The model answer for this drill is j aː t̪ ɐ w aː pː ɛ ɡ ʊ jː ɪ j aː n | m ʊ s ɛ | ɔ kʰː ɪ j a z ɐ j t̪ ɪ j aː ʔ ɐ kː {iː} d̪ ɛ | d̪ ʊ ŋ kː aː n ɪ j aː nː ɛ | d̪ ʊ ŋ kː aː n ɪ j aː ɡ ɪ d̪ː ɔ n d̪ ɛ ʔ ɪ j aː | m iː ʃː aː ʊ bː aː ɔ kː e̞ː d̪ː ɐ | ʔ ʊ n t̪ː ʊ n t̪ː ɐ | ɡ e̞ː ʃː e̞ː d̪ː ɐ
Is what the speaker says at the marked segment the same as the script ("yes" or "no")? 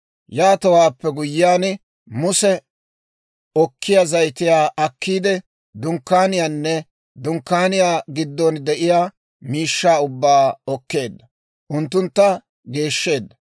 yes